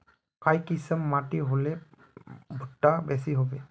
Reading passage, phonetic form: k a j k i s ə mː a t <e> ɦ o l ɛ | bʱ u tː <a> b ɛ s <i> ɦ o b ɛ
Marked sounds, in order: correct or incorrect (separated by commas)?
incorrect, correct, correct